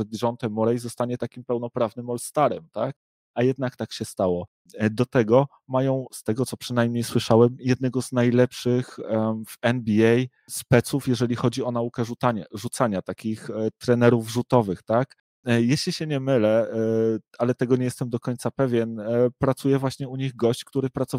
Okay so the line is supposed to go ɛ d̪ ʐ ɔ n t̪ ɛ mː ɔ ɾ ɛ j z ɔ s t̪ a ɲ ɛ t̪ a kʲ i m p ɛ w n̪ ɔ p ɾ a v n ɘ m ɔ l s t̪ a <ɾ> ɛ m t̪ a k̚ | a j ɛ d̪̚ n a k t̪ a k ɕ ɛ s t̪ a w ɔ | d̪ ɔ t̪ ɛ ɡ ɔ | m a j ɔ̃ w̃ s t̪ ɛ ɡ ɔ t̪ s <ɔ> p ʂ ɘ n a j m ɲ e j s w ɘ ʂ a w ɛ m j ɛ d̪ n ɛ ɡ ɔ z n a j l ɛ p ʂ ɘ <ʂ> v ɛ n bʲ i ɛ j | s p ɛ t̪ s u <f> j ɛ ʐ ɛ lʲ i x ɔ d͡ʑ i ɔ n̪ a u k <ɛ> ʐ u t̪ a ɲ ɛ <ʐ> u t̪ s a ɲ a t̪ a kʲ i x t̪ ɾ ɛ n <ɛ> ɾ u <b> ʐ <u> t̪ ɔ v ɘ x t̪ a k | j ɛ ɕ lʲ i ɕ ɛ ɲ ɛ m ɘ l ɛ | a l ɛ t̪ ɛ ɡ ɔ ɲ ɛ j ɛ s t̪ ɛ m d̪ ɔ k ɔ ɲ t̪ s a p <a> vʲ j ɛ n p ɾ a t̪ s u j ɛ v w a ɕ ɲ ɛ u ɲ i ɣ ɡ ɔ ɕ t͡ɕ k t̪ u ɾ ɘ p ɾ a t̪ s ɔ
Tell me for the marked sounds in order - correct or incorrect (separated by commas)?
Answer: correct, correct, incorrect, correct, correct, correct, correct, incorrect, correct, incorrect